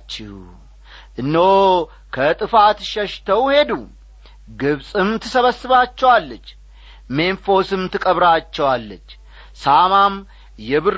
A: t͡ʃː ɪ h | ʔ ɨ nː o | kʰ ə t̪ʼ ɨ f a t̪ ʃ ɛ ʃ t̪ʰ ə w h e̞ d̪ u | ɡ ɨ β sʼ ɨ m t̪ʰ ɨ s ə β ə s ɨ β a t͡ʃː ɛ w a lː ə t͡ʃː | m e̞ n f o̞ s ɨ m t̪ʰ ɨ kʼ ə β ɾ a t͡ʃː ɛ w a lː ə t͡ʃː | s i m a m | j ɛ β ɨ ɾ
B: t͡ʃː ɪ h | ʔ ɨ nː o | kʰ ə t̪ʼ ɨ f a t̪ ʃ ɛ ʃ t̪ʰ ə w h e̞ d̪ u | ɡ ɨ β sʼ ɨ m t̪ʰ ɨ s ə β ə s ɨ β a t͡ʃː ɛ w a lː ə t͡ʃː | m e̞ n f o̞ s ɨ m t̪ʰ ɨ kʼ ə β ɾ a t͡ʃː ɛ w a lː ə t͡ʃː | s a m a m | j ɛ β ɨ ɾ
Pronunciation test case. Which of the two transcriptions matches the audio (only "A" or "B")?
B